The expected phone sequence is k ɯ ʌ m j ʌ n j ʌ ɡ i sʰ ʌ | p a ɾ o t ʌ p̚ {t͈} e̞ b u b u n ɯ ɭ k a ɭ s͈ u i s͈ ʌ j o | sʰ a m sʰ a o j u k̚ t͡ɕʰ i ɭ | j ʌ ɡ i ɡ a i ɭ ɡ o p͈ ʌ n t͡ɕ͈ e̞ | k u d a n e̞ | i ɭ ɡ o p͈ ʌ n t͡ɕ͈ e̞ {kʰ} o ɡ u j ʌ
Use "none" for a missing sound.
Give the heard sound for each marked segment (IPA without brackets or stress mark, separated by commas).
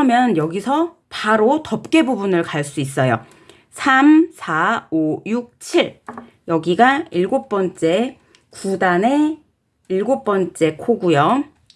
k͈, kʰ